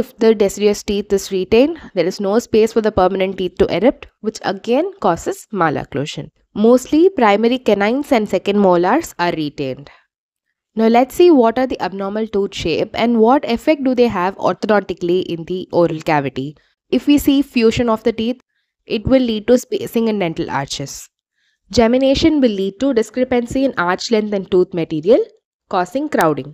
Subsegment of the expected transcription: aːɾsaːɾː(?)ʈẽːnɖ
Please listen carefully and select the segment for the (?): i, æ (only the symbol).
i